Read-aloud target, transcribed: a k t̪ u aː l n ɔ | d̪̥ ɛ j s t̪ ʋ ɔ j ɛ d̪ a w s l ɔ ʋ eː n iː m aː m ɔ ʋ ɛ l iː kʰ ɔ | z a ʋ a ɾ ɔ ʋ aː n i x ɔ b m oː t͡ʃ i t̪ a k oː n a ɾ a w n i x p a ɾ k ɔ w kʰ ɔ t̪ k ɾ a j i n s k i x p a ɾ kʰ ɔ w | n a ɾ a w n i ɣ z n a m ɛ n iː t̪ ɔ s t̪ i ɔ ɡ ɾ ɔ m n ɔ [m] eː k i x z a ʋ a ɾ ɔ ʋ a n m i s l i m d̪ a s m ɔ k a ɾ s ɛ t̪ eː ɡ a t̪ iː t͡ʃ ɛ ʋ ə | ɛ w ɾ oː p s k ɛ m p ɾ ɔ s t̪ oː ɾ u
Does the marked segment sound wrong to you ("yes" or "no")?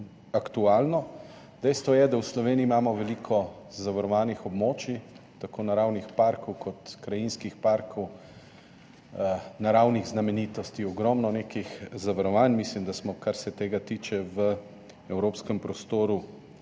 yes